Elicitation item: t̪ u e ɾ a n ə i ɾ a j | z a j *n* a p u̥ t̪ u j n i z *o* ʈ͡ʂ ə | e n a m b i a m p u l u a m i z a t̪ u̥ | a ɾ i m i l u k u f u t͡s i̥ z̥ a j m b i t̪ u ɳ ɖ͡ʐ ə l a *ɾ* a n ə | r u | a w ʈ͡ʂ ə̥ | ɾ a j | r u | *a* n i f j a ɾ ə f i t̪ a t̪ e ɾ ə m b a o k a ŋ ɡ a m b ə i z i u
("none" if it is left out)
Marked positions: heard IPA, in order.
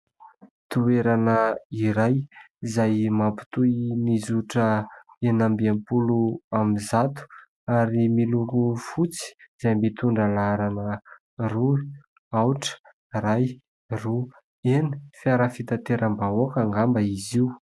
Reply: m, u, ɾ, e

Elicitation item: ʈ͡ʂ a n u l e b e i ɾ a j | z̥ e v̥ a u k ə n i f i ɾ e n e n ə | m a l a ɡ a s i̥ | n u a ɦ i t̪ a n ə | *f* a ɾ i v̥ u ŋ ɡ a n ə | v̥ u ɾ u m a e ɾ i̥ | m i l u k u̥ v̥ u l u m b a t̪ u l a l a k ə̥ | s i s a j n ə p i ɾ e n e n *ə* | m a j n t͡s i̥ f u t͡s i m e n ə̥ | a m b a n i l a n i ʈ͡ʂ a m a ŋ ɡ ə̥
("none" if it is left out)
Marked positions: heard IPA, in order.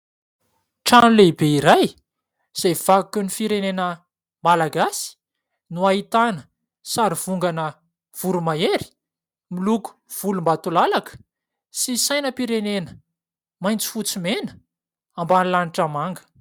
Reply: s, ə

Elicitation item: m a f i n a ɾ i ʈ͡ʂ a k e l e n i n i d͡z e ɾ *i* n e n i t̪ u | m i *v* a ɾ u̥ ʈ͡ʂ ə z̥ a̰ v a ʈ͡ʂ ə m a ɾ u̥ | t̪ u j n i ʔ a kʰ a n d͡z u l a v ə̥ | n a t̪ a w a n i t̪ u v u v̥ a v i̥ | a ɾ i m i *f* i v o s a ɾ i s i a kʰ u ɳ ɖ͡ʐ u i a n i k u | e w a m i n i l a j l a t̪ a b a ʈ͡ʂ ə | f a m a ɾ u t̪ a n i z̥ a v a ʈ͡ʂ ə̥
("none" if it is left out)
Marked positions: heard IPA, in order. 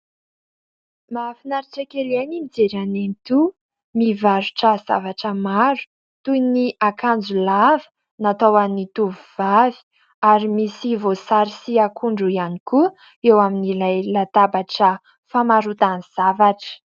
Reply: a, v, s

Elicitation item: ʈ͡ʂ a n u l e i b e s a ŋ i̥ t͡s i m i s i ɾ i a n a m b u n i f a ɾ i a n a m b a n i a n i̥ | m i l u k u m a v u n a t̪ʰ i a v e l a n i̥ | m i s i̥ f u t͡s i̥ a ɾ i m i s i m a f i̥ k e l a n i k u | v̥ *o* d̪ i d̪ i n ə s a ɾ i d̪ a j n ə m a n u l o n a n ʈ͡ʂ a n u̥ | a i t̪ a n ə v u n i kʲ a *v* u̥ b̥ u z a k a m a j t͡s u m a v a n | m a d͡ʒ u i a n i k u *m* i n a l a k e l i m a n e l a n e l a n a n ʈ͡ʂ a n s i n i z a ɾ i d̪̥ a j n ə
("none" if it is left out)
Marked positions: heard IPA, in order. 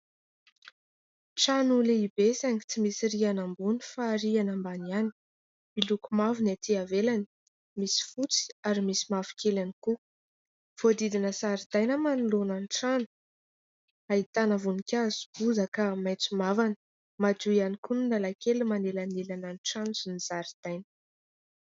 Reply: o, z, n

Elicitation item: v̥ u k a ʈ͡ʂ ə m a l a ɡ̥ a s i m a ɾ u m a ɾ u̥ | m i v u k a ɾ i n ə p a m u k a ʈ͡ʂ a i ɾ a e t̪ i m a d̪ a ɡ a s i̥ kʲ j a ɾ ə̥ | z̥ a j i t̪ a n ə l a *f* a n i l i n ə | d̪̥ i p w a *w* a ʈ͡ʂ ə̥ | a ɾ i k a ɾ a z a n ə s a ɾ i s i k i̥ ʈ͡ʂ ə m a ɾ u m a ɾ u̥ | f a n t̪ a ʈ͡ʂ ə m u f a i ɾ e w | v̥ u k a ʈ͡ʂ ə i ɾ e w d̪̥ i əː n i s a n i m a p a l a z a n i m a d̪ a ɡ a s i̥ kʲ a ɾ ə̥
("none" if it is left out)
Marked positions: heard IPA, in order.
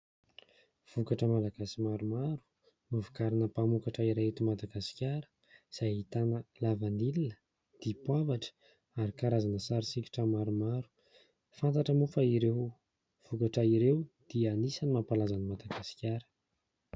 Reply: v, v

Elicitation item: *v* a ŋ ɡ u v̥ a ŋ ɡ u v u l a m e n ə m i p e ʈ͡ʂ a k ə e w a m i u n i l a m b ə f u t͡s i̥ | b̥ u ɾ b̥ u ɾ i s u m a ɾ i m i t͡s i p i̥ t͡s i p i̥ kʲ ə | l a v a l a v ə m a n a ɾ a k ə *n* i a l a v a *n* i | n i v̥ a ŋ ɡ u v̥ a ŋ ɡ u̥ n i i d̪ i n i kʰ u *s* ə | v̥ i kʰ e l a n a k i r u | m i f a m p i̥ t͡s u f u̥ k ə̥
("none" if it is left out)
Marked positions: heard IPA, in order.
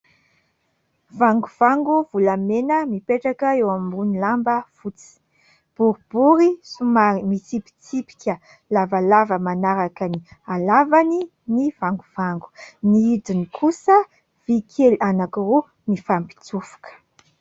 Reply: v, n, n, s

